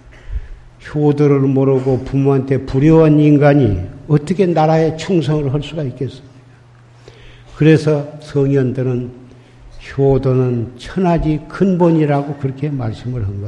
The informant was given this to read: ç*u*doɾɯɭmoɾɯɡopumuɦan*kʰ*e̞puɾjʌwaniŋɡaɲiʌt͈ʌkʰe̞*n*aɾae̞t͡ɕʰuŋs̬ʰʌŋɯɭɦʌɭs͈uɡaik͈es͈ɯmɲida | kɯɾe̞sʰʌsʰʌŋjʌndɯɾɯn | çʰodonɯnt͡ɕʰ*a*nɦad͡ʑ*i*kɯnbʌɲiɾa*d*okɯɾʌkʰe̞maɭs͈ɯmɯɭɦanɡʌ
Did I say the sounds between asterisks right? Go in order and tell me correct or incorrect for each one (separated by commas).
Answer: incorrect, incorrect, correct, incorrect, correct, incorrect